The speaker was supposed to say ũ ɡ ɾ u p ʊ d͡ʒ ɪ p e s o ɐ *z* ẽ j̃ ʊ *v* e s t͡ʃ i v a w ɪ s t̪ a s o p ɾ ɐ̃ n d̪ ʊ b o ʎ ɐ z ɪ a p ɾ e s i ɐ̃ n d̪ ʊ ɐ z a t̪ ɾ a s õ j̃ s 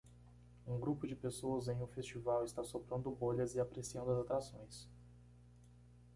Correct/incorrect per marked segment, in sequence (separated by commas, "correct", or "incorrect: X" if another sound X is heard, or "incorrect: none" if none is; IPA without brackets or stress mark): correct, incorrect: f